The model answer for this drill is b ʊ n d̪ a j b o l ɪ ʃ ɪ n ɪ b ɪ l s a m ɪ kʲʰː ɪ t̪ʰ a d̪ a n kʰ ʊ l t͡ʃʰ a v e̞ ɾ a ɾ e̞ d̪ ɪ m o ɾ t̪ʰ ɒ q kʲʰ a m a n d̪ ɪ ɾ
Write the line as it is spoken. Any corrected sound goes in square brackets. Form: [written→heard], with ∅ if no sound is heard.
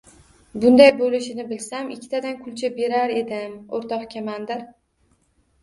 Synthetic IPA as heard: b ʊ n d̪ a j b o l ɪ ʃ ɪ n ɪ b ɪ l s a m ɪ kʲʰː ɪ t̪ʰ a d̪ a n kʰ ʊ l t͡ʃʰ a [v→b] e̞ ɾ a ɾ e̞ d̪ ɪ m o ɾ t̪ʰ ɒ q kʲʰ a m a n d̪ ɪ ɾ